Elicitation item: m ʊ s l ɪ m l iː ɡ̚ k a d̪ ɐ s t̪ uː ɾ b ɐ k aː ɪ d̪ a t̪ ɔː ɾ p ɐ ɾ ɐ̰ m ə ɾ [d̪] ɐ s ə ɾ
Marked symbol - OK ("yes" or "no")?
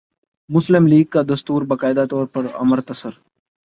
no